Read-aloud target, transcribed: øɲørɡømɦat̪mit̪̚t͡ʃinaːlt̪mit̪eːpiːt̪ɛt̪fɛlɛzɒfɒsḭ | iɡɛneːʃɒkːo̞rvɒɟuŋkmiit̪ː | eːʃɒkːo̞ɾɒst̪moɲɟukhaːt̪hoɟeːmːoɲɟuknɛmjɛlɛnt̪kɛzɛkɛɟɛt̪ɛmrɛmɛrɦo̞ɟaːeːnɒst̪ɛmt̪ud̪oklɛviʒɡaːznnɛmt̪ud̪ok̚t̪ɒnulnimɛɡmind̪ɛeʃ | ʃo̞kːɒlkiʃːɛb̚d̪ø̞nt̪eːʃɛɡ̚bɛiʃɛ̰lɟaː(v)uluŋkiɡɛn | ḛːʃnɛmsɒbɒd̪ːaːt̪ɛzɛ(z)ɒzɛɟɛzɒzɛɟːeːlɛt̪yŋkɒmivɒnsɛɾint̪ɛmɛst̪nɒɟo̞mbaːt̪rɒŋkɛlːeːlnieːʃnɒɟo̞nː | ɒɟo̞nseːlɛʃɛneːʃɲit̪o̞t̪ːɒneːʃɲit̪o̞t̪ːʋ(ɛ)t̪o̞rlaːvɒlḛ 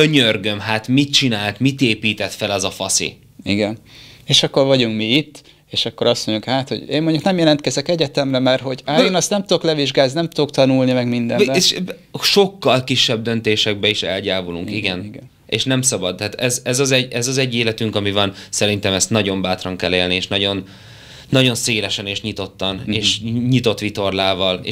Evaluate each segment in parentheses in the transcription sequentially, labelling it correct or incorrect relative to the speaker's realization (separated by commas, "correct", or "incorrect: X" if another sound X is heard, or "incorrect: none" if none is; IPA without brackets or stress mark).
correct, correct, incorrect: i